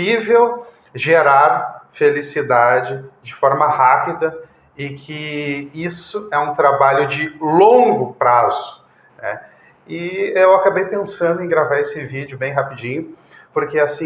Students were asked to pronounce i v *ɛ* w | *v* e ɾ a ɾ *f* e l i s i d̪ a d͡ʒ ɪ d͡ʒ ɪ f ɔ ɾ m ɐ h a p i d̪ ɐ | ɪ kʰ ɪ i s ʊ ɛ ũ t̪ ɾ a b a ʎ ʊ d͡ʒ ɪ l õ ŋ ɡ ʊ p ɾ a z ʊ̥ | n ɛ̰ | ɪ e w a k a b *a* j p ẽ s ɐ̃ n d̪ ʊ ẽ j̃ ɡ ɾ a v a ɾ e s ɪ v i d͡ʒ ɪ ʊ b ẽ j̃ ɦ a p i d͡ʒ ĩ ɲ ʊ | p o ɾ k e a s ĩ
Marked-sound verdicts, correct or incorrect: incorrect: e, incorrect: ʒ, correct, incorrect: e

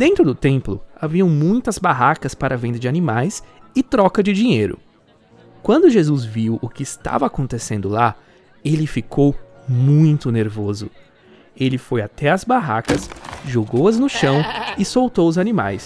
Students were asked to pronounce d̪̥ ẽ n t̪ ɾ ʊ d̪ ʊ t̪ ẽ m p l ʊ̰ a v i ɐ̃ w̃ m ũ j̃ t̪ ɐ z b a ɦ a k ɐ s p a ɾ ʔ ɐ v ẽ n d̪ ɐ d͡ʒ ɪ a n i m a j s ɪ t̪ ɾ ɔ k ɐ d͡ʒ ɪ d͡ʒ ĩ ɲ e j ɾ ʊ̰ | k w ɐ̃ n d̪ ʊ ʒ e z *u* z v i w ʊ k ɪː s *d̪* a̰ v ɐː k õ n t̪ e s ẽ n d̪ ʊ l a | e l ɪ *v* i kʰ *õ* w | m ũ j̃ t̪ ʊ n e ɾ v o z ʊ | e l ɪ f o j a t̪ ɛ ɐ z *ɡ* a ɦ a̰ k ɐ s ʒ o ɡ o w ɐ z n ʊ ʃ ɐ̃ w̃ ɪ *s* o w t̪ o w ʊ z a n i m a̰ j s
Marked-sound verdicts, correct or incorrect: correct, incorrect: t̪, incorrect: f, incorrect: o, incorrect: b, correct

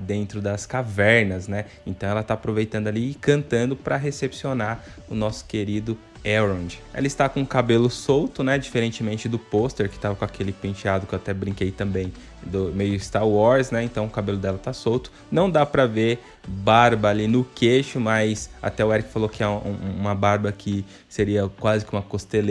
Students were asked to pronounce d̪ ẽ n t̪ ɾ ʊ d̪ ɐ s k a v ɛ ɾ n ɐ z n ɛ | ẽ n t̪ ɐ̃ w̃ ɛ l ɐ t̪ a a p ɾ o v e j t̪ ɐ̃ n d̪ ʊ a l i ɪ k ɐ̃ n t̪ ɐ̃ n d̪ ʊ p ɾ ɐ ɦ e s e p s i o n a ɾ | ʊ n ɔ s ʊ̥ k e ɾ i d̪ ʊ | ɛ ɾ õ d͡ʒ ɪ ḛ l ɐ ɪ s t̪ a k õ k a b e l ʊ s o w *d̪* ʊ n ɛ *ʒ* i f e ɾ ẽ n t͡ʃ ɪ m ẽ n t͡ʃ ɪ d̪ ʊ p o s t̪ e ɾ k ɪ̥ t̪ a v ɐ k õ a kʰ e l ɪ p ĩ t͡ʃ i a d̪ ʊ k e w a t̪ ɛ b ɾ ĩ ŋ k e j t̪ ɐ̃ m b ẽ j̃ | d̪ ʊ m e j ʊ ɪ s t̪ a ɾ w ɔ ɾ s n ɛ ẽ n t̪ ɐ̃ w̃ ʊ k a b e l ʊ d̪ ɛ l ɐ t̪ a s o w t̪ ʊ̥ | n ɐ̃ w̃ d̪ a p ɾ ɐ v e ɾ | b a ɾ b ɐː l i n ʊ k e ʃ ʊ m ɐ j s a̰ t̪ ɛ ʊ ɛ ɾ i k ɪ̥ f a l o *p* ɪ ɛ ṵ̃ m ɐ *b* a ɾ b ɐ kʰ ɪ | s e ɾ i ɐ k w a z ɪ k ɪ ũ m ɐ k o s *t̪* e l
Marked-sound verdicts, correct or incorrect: incorrect: t̪, incorrect: d͡ʒ, incorrect: k, correct, correct

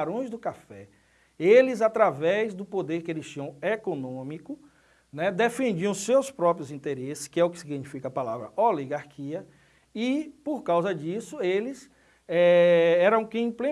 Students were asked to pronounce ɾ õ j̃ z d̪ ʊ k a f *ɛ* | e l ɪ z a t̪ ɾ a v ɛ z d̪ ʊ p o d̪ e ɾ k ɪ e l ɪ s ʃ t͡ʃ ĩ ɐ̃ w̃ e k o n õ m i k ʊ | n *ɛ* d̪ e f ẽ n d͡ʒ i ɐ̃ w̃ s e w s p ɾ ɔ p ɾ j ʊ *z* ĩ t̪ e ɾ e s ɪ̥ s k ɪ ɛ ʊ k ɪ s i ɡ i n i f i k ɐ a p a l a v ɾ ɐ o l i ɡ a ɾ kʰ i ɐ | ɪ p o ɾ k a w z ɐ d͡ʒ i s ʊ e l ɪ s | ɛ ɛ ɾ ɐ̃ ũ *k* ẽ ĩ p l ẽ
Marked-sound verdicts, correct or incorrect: correct, correct, correct, correct

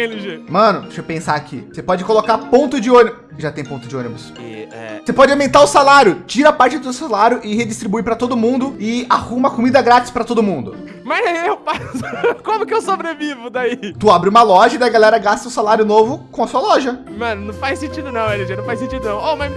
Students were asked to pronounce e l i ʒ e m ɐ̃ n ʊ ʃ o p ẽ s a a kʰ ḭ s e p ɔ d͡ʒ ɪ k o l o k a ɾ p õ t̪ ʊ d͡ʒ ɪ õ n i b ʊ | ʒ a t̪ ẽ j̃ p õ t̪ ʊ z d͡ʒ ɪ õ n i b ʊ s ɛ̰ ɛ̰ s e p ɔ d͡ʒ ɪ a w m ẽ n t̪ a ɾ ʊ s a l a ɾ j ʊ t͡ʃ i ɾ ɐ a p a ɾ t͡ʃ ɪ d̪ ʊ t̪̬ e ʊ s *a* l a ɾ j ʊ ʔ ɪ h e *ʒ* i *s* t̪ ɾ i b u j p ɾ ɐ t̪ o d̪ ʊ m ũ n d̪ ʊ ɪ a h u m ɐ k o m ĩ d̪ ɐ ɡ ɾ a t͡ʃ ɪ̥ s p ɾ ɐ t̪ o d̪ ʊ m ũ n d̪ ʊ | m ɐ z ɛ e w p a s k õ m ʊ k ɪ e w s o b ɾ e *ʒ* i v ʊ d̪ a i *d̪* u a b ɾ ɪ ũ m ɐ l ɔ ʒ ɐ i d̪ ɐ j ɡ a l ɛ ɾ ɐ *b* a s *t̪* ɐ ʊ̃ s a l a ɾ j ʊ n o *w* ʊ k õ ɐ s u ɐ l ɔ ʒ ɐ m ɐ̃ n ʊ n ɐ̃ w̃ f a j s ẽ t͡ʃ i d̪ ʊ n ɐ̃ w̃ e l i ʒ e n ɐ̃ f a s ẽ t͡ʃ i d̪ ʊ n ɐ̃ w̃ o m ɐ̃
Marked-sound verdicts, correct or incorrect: correct, incorrect: d͡ʒ, correct, incorrect: v, incorrect: t̪, incorrect: ɡ, correct, incorrect: v

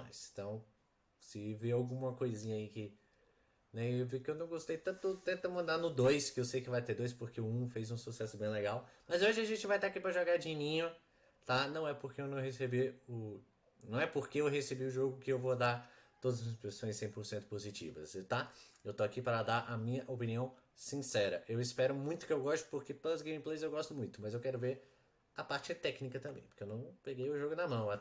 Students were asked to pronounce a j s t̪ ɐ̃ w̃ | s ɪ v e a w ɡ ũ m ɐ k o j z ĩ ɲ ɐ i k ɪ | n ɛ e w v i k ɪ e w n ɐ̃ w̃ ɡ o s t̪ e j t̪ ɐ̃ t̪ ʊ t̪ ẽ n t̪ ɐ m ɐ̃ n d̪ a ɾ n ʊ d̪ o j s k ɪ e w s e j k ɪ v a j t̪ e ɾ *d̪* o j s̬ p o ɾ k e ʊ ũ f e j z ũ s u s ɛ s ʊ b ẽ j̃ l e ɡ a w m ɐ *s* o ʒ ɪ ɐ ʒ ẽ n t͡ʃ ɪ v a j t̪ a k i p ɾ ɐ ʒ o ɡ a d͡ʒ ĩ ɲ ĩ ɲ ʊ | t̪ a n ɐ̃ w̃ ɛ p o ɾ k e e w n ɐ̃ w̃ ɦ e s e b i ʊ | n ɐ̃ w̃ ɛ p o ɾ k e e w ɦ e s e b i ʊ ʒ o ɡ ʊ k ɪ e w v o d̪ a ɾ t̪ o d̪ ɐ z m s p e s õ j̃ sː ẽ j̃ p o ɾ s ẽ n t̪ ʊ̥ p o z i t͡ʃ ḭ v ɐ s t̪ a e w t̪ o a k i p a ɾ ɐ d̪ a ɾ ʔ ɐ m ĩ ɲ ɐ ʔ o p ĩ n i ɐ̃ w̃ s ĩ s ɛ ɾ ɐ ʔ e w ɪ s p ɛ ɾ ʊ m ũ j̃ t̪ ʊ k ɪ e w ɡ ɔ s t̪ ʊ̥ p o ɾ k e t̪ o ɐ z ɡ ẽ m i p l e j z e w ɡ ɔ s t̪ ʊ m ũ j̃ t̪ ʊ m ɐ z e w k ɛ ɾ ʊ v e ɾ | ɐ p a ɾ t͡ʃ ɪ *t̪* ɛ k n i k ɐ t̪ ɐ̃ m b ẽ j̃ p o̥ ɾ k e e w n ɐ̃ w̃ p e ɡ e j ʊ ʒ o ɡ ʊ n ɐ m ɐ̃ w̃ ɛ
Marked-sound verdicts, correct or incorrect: correct, incorrect: z, correct

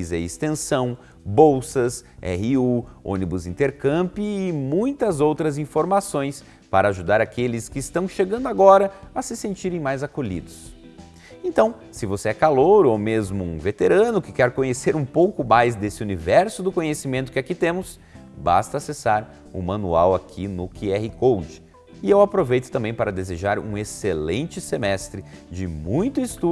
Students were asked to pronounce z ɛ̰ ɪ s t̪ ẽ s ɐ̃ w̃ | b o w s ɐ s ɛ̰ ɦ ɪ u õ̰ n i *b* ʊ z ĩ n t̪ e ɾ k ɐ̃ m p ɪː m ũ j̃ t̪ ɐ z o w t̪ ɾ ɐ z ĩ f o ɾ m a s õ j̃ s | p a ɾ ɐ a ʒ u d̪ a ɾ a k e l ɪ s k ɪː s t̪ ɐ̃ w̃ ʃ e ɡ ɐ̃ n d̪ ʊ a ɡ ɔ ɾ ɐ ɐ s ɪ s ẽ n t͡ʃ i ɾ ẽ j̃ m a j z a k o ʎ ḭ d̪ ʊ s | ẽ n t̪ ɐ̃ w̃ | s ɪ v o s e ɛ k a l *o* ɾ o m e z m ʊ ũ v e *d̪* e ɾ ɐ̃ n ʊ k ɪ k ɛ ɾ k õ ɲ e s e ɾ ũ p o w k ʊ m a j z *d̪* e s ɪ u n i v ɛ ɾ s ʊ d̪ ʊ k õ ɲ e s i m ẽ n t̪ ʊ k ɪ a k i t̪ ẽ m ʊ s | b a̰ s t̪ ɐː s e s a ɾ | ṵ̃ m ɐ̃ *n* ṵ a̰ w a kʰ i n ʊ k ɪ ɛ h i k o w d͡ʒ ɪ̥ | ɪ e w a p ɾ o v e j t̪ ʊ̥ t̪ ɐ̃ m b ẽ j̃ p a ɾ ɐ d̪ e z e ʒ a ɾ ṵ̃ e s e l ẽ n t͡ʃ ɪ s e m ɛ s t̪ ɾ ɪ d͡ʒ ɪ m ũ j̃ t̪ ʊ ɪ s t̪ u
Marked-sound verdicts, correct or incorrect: correct, correct, incorrect: t̪, correct, correct

